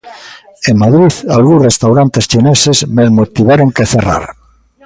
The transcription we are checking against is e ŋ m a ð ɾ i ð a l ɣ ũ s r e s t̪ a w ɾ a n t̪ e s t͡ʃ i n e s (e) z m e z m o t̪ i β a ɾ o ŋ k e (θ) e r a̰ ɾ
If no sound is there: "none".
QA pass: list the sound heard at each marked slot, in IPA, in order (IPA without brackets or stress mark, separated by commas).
e, θ